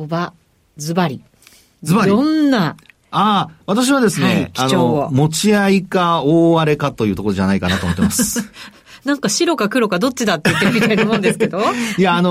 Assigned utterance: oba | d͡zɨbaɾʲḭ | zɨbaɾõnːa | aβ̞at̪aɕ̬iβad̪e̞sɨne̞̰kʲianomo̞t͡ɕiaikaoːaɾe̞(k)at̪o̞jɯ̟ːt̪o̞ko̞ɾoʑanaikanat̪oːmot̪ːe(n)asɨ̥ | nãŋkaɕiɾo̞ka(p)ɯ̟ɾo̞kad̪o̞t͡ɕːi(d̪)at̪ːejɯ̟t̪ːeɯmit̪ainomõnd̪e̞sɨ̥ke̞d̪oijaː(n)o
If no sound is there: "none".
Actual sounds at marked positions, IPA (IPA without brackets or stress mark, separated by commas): k, m, k, d̪, n